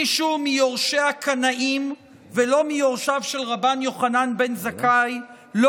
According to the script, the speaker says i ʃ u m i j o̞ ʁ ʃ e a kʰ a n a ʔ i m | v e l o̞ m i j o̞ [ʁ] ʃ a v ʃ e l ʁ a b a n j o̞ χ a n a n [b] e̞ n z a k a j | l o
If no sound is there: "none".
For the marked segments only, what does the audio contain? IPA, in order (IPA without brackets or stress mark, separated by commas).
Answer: ʁ, b